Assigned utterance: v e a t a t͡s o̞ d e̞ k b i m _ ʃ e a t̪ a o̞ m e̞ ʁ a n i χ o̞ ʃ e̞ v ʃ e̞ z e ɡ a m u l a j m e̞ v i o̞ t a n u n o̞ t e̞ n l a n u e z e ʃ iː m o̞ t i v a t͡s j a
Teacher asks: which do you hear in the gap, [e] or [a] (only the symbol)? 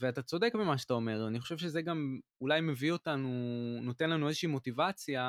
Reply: a